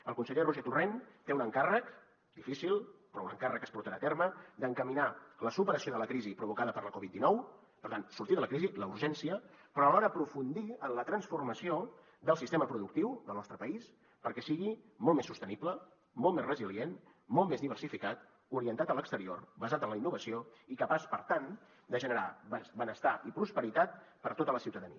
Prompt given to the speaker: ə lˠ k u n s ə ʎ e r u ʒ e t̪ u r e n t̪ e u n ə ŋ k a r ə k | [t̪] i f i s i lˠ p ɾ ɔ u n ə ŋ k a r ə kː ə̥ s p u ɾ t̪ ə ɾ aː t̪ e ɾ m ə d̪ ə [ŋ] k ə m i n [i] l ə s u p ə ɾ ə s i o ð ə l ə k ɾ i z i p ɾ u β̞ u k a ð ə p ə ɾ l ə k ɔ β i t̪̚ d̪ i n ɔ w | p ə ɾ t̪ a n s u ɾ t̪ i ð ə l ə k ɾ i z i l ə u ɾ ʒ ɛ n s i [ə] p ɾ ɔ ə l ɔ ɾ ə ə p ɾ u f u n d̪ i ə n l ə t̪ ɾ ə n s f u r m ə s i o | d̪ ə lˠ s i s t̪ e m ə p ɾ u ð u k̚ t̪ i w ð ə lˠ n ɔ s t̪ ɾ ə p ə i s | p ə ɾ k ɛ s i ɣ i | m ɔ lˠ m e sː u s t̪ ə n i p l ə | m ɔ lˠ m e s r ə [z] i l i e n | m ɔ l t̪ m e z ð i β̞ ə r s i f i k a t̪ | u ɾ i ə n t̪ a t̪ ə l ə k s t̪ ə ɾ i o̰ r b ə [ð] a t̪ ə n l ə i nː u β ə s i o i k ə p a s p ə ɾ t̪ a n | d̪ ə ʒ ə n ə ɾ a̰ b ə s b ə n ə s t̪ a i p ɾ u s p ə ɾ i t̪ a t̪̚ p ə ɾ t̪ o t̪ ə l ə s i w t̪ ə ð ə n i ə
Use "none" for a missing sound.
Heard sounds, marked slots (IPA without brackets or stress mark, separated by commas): d̪, ŋ, a, ə, z, z